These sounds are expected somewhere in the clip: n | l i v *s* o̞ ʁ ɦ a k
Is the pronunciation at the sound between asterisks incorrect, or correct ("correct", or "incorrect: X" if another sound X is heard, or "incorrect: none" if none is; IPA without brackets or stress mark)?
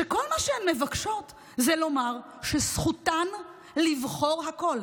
incorrect: χ